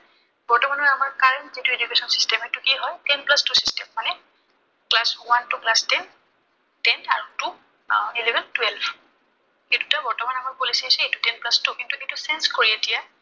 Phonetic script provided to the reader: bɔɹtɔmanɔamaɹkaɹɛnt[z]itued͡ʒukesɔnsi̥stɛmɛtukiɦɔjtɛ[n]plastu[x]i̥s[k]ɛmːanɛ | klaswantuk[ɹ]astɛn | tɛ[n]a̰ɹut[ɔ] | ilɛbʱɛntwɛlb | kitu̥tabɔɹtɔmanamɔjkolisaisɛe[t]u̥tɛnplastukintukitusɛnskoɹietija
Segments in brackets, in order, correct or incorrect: correct, correct, incorrect, incorrect, incorrect, correct, incorrect, correct

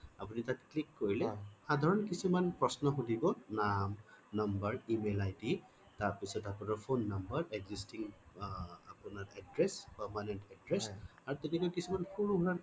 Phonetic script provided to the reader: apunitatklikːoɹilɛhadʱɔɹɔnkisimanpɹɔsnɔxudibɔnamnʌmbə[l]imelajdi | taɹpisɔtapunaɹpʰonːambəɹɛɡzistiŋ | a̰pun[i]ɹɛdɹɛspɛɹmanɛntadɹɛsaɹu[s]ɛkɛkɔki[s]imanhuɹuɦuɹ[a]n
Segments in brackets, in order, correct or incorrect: incorrect, incorrect, incorrect, correct, correct

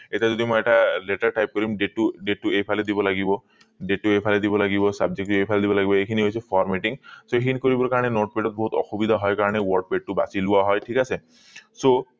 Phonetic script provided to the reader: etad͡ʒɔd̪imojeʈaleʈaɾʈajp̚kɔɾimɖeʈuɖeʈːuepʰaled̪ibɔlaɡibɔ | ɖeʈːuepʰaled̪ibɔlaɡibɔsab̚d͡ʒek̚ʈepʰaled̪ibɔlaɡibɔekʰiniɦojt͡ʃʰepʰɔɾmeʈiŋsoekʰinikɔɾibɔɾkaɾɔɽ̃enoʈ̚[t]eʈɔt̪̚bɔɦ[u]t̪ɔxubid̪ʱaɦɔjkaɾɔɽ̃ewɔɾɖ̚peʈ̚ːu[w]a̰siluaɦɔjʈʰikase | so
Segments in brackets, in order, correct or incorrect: incorrect, correct, incorrect

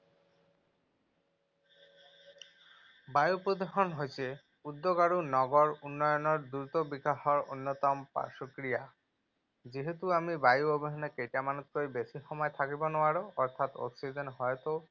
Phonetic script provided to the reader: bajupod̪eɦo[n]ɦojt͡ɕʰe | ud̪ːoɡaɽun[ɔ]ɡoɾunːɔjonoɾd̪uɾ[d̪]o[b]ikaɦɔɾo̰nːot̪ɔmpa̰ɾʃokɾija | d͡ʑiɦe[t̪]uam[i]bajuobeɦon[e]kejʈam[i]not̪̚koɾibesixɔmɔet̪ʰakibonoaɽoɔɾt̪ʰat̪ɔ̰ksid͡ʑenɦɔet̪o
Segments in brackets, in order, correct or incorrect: correct, correct, incorrect, correct, correct, correct, correct, incorrect

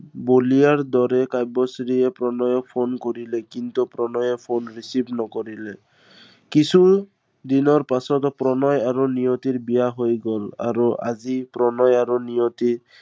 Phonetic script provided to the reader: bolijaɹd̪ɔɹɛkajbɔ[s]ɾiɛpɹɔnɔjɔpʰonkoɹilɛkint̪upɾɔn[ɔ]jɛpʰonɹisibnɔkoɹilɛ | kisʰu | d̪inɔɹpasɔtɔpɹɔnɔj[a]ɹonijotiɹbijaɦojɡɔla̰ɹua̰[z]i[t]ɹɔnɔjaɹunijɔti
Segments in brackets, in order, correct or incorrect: correct, correct, correct, correct, incorrect

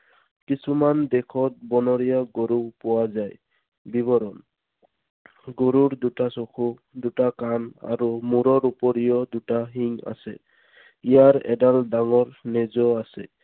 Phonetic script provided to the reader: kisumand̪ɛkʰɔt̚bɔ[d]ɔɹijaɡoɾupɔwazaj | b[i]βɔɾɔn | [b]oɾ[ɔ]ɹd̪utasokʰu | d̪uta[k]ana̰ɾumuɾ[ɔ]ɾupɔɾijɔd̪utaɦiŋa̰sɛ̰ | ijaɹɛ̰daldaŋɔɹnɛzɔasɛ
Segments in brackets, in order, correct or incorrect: incorrect, correct, incorrect, incorrect, correct, correct

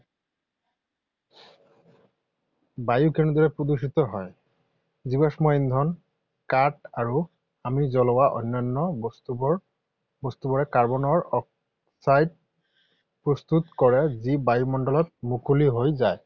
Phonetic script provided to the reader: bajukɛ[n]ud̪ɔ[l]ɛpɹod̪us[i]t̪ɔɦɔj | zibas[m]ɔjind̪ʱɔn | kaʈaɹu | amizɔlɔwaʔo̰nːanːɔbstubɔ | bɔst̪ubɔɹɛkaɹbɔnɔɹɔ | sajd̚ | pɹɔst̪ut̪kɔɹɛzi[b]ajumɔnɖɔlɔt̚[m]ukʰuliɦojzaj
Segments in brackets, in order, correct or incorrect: correct, incorrect, correct, correct, correct, correct

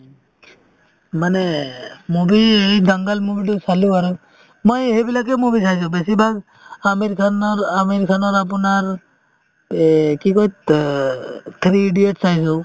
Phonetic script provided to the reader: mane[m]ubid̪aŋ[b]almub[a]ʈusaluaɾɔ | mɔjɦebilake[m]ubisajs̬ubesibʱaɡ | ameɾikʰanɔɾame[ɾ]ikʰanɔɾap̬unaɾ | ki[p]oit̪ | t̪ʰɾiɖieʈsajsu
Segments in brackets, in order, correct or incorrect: correct, incorrect, incorrect, correct, correct, incorrect

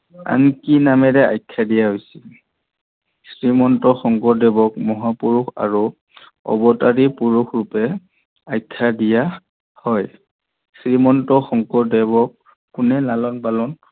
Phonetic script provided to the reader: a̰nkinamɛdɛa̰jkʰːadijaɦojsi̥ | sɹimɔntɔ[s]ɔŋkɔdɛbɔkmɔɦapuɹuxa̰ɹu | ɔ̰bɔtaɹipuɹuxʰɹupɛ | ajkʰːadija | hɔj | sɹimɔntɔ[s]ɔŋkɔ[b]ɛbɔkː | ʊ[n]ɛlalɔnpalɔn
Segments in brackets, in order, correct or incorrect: incorrect, incorrect, incorrect, correct

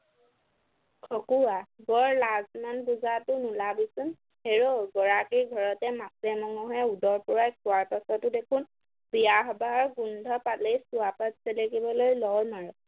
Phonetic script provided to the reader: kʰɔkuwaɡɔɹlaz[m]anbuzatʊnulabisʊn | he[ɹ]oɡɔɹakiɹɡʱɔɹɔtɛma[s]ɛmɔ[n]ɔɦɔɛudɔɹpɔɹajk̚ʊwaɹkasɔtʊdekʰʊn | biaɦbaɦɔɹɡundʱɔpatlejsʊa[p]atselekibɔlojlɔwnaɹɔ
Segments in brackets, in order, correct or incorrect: correct, correct, correct, incorrect, correct

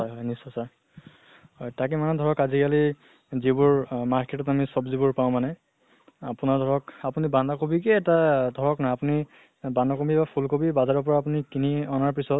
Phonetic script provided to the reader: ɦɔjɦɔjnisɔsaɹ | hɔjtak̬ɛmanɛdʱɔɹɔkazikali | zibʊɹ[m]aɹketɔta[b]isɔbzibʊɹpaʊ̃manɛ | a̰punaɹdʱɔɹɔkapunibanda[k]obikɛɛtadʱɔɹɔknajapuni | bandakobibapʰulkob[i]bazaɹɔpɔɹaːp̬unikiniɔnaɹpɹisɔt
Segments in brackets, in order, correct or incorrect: correct, incorrect, correct, correct

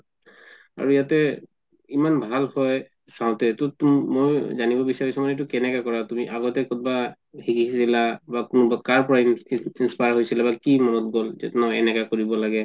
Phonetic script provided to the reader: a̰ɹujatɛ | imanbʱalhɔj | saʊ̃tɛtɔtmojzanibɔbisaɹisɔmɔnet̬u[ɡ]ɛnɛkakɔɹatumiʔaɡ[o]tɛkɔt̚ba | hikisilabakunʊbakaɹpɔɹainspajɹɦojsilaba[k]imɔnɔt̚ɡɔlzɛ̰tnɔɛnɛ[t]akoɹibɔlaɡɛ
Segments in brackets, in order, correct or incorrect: incorrect, incorrect, correct, incorrect

